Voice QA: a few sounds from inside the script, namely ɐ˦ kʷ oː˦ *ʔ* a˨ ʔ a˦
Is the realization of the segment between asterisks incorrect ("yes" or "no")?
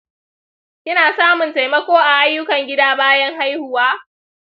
no